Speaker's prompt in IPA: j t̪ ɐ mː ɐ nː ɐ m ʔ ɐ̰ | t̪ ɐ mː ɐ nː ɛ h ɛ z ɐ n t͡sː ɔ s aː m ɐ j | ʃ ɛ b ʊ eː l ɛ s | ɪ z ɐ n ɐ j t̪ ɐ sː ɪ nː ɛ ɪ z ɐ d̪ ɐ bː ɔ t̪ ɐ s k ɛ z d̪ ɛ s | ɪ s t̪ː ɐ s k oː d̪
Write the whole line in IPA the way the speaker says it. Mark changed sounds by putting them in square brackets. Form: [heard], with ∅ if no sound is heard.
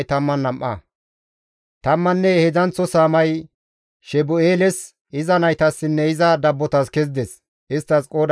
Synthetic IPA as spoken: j t̪ ɐ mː ɐ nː ɐ m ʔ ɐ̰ | t̪ ɐ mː ɐ nː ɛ h ɛ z ɐ n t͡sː ɔ s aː m ɐ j | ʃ ɛ b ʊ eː l ɛ s | ɪ z ɐ n ɐ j t̪ ɐ sː ɪ nː ɛ ɪ z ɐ d̪ ɐ bː ɔ t̪ ɐ s k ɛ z d̪ ɛ s | ɪ s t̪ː ɐ s [kʼ] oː d̪